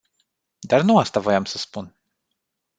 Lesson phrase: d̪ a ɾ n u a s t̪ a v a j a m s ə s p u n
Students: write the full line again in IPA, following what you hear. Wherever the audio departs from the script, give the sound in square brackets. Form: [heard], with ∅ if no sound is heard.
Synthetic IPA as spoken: d̪ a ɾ n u a s t̪ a v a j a m s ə s p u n

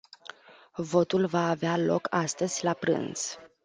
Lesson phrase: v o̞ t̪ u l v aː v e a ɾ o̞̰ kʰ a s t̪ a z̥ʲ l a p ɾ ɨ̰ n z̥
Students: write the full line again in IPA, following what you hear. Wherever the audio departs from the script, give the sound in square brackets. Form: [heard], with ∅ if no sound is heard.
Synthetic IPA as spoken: v o̞ t̪ u l v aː v e a [l] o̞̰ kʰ a s t̪ [ə] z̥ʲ l a p ɾ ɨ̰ n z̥

